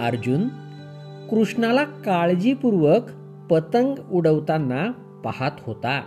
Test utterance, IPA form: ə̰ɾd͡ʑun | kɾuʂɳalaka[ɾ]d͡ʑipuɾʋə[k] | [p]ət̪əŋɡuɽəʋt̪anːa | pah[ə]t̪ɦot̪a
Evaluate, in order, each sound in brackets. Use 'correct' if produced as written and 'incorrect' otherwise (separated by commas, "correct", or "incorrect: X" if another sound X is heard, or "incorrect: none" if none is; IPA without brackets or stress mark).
incorrect: ɭ, correct, correct, incorrect: a